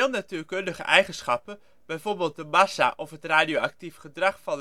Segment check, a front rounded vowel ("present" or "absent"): present